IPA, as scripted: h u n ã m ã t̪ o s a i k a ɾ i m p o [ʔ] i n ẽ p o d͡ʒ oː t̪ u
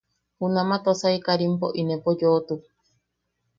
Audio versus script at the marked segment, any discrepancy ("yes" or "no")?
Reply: no